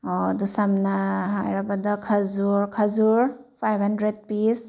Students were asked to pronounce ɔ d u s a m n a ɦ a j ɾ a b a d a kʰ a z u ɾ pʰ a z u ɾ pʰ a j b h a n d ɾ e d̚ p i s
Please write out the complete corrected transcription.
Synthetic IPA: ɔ d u s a m n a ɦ a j ɾ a b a d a kʰ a z u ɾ kʰ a z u ɾ pʰ a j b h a n d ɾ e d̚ p i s